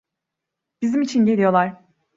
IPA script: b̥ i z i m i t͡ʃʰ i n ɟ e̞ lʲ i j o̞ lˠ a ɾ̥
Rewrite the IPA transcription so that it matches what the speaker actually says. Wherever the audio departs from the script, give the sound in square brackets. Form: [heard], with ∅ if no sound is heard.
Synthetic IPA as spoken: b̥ i z i m i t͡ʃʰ i n ɟ e̞ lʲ i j o̞ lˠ a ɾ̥